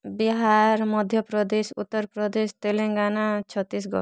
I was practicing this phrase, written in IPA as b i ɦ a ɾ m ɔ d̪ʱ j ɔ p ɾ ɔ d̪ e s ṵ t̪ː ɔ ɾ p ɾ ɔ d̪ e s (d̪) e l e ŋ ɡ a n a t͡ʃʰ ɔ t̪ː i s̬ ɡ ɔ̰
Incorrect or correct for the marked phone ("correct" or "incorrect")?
incorrect